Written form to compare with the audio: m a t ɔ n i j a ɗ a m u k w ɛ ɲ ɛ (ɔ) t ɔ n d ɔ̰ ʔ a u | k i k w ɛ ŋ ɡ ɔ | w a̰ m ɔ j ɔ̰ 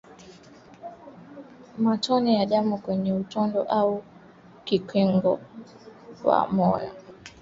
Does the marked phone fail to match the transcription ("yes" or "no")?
yes